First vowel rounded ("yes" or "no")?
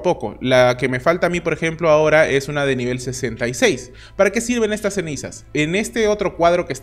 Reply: yes